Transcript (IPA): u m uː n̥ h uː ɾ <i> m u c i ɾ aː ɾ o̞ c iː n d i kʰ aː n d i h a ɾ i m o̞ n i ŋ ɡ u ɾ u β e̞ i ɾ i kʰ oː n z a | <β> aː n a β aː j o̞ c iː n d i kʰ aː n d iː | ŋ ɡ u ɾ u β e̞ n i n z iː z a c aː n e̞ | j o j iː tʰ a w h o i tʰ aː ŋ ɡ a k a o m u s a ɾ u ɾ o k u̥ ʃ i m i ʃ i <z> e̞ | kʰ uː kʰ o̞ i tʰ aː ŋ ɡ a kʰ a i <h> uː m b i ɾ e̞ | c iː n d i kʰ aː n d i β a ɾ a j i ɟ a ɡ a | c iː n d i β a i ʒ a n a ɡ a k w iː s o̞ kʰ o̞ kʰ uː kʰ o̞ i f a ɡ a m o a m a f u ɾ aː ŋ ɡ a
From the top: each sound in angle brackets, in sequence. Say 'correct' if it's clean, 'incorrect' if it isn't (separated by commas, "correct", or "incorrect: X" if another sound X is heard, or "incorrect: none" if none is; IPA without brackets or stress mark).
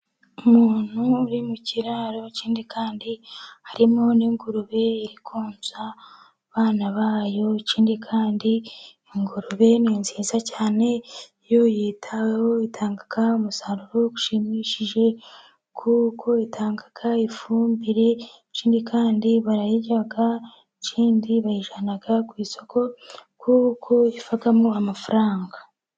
correct, correct, incorrect: ʒ, incorrect: f